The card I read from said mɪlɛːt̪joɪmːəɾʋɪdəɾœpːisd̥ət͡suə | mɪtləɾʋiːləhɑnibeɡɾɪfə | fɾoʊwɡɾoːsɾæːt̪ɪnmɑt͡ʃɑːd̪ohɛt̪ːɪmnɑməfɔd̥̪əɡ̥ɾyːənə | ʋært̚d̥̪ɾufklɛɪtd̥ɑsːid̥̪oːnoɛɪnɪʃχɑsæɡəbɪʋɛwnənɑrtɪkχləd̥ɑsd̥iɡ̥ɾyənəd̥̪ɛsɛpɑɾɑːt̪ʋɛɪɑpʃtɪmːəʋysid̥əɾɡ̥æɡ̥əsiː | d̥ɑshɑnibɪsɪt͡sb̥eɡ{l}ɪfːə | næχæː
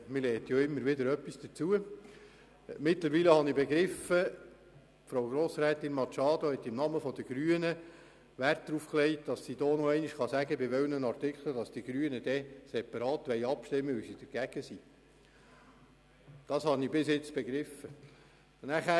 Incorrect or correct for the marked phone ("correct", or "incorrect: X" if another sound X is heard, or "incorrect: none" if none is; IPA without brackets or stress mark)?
incorrect: ɾ